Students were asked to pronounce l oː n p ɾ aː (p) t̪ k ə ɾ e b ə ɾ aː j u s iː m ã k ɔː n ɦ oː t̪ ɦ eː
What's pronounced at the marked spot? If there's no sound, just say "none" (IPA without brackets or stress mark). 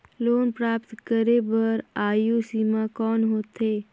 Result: p